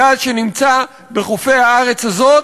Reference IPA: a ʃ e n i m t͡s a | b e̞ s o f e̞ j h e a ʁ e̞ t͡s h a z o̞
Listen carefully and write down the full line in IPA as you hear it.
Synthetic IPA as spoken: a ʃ e n i m t͡s a | b e̞ χ o f e̞ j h a a ʁ e̞ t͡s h a z o̞